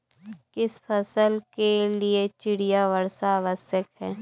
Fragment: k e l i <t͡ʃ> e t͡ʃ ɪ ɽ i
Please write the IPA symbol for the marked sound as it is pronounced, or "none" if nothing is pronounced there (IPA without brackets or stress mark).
none